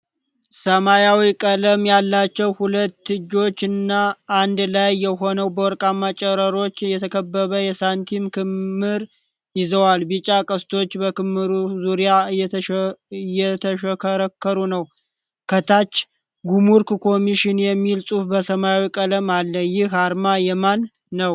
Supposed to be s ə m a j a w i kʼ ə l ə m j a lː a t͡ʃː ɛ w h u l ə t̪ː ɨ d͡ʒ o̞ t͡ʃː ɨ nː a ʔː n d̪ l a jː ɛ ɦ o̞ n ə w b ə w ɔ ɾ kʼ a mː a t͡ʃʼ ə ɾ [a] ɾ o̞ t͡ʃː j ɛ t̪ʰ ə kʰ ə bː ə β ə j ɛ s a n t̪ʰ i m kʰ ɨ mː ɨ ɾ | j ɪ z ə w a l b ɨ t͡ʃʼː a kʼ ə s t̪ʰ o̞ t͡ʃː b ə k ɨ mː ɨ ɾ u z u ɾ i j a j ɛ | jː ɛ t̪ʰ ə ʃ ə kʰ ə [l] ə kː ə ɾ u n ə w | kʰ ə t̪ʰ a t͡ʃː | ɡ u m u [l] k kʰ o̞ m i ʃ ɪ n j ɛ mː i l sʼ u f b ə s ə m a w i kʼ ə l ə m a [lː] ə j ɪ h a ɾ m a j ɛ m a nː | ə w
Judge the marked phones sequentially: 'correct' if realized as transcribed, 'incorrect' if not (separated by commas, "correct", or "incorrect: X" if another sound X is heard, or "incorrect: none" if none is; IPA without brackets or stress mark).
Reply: incorrect: ə, incorrect: ɾ, incorrect: ɾ, correct